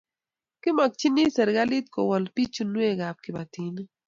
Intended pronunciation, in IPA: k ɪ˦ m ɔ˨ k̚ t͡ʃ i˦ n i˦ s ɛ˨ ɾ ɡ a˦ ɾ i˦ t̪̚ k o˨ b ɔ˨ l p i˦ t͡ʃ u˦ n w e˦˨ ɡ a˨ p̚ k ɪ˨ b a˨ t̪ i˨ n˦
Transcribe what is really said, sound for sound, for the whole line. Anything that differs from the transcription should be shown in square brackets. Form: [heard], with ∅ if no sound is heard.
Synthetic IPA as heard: k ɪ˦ m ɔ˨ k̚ t͡ʃ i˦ n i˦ s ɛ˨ ɾ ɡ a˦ [l] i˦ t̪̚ k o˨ [w] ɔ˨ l p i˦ t͡ʃ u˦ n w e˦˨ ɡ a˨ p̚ k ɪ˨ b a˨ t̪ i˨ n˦